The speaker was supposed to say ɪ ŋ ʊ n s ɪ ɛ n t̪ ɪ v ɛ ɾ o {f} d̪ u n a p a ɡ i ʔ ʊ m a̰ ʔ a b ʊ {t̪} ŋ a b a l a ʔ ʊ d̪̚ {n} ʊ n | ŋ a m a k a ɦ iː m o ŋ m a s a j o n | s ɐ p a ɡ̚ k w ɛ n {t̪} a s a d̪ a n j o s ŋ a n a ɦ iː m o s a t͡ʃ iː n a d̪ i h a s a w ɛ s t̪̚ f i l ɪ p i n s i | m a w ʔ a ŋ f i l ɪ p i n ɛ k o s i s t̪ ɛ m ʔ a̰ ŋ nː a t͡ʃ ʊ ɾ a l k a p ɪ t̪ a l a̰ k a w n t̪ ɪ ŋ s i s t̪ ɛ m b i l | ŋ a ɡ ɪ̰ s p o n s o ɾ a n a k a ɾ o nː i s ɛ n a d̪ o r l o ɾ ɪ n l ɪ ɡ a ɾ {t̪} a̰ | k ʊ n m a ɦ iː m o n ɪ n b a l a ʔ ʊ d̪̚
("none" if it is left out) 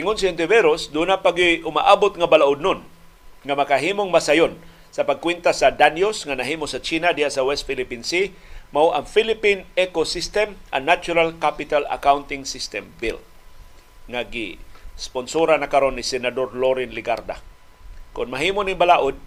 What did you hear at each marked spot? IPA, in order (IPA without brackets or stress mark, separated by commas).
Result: s, t̪, n, t̪, d̪